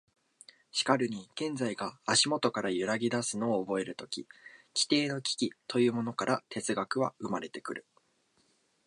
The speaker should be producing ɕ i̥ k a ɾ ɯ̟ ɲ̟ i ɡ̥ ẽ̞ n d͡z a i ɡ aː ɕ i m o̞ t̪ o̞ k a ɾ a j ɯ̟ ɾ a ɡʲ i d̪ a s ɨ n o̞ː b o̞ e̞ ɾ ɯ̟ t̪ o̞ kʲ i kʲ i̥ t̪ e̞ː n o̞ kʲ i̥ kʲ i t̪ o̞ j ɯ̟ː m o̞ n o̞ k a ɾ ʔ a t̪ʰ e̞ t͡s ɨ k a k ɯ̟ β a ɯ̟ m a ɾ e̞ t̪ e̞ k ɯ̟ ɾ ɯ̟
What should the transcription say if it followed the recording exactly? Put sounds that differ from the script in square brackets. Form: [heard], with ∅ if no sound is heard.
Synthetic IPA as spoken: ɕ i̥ k a ɾ ɯ̟ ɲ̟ i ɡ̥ ẽ̞ n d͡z a i ɡ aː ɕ i m o̞ t̪ o̞ k a ɾ a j ɯ̟ ɾ a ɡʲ i d̪ a s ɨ n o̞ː b o̞ e̞ ɾ ɯ̟ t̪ o̞ kʲ i kʲ i̥ t̪ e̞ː n o̞ kʲ i̥ kʲ i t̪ o̞ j ɯ̟ː m o̞ n o̞ k a ɾ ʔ a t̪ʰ e̞ t͡s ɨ [ɡ] a k ɯ̟ β a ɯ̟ m a ɾ e̞ t̪ e̞ k ɯ̟ ɾ ɯ̟